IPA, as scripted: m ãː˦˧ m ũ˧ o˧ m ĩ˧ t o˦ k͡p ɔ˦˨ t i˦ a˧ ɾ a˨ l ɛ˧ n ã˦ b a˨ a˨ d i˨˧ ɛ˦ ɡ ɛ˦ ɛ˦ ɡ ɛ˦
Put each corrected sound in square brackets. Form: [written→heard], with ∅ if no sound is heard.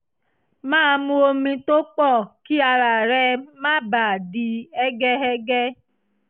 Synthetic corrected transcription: m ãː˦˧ m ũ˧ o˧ m ĩ˧ t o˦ k͡p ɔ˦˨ [t→k] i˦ a˧ ɾ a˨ [l→ɾ] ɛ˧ [n→m] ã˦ b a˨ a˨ d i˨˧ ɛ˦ ɡ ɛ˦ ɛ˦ ɡ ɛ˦